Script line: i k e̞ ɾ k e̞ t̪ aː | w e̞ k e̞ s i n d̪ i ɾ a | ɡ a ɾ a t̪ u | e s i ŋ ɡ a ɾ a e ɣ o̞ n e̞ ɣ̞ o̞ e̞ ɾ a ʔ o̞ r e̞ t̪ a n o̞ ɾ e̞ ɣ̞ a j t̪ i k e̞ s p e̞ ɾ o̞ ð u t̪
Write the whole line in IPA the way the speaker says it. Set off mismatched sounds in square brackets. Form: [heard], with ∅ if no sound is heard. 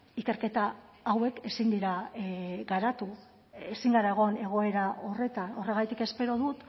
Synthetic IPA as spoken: i k e̞ ɾ k e̞ t̪ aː | w e̞ k e̞ s i n d̪ i ɾ a | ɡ a ɾ a t̪ u | e s i ŋ ɡ a ɾ a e ɣ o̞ n e̞ ɣ̞ o̞ e̞ ɾ a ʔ o̞ r e̞ t̪ a n o̞ [r] e̞ ɣ̞ a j t̪ i k e̞ s p e̞ ɾ o̞ ð u t̪

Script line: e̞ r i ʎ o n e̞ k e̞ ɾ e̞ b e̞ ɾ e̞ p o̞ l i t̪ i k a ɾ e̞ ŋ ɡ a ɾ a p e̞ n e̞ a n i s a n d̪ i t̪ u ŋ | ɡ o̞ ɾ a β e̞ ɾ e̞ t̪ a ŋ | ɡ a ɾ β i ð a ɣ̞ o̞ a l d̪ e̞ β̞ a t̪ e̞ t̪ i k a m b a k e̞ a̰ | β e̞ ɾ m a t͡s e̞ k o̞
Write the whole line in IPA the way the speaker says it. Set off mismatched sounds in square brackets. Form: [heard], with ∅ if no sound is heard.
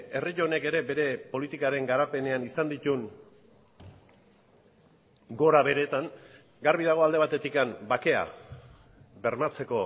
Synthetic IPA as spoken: e̞ r i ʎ o n e̞ k e̞ ɾ e̞ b e̞ ɾ e̞ p o̞ l i t̪ i k a ɾ e̞ ŋ ɡ a ɾ a p e̞ n e̞ a n i s a n d̪ i t̪ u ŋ | ɡ o̞ ɾ a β e̞ ɾ e̞ t̪ a ŋ | ɡ a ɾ β i ð a ɣ̞ o̞ a l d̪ e̞ β̞ a t̪ e̞ t̪ i k a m b a k e̞ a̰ | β e̞ ɾ m a t͡s e̞ k o̞

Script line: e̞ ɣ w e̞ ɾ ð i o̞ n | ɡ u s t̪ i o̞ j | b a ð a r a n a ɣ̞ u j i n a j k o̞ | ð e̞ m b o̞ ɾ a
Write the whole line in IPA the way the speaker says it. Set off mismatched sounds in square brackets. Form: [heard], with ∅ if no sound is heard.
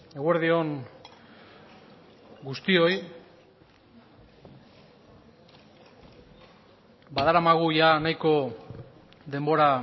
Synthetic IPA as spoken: e̞ ɣ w e̞ ɾ ð i o̞ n | ɡ u s t̪ i o̞ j | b a ð a [ɾ] a [m] a ɣ̞ u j [a] n a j k o̞ | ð e̞ m b o̞ ɾ a

